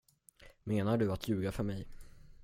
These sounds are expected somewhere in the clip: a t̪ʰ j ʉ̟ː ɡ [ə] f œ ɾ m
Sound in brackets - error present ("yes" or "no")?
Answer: yes